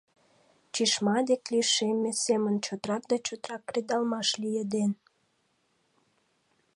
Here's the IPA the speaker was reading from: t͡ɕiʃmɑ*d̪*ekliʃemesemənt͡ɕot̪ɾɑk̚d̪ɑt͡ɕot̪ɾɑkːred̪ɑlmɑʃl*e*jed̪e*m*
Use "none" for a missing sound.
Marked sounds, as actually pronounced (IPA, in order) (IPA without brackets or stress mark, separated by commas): d̪, i, n